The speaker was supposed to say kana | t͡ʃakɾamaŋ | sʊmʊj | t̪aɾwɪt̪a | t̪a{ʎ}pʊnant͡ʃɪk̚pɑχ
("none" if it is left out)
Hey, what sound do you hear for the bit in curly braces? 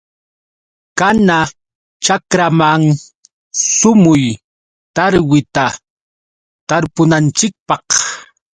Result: ɾ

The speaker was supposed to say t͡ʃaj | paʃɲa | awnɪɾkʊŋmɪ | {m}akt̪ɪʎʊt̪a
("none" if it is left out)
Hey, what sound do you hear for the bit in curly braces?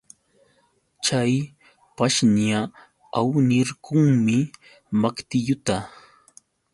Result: m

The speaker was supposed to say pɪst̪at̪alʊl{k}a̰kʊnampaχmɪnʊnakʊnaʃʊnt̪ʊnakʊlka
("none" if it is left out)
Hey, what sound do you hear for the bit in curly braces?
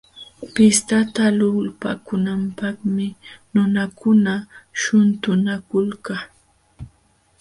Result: p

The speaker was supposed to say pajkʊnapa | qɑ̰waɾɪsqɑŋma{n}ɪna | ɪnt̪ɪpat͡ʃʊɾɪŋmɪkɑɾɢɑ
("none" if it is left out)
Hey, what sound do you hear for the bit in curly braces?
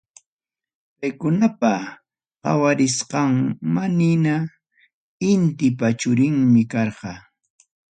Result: n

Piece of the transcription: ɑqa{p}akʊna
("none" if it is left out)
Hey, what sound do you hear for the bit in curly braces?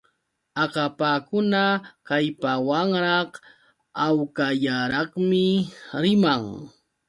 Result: p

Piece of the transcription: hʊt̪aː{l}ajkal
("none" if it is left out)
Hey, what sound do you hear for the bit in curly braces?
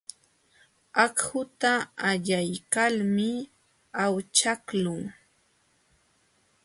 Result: ʎ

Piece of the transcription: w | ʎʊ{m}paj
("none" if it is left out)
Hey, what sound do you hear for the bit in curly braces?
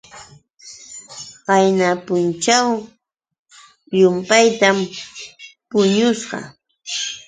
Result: m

